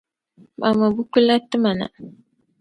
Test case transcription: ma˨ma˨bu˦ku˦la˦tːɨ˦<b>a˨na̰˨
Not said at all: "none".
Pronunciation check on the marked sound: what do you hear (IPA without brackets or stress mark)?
m